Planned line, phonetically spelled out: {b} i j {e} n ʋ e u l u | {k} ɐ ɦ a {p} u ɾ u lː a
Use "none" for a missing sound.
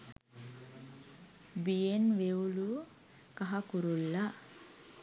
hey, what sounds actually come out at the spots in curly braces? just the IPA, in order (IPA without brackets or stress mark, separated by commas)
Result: b, e, k, k